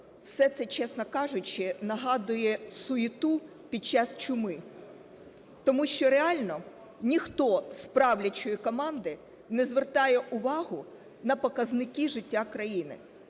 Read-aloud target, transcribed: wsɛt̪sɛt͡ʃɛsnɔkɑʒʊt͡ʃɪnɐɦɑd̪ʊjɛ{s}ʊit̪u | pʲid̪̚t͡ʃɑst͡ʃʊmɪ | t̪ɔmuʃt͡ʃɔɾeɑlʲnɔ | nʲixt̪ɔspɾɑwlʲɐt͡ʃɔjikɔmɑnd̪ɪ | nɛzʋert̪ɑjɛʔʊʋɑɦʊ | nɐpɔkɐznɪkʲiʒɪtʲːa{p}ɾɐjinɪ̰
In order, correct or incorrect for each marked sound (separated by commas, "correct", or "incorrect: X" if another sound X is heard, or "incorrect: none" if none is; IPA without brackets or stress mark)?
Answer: correct, incorrect: k